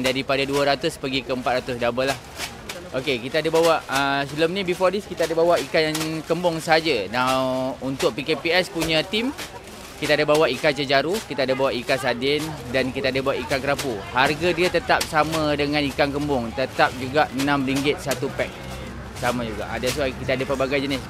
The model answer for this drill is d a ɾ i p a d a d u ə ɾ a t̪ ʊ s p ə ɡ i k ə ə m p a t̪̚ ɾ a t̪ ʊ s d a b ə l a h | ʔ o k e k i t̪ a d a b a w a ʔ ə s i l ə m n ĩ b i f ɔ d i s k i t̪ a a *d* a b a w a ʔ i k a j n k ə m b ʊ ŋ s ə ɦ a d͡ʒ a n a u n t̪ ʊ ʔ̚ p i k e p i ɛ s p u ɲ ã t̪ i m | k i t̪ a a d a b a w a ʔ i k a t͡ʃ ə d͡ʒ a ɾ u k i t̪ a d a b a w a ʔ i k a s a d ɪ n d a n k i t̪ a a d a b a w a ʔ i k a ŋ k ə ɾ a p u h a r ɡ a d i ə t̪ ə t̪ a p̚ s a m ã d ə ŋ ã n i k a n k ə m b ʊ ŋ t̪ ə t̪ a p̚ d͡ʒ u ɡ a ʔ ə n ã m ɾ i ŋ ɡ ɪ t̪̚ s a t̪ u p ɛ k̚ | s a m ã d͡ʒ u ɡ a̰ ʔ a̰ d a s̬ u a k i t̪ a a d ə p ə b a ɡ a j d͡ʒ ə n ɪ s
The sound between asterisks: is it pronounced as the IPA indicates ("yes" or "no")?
yes